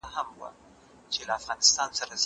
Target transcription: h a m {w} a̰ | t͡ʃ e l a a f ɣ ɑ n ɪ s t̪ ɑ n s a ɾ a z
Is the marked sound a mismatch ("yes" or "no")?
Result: no